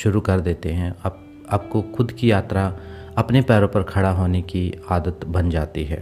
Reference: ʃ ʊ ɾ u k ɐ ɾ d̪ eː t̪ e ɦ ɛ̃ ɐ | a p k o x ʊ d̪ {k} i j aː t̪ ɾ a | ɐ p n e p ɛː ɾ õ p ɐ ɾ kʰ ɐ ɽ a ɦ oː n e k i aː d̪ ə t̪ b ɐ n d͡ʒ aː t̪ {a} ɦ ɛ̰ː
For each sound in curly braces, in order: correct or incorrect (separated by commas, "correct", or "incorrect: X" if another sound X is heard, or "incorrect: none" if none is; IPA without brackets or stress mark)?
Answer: correct, incorrect: i